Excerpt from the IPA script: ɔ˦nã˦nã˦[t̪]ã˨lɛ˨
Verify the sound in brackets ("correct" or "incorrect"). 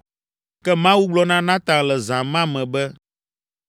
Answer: correct